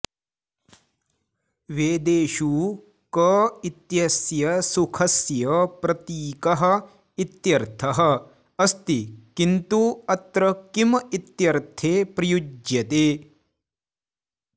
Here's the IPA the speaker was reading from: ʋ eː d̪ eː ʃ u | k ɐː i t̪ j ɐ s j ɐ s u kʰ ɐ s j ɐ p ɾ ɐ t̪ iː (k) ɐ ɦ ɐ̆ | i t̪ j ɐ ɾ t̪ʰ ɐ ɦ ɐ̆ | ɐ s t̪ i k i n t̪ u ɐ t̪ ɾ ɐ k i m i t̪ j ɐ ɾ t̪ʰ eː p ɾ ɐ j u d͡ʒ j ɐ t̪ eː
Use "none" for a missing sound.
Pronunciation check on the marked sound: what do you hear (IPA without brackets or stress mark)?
k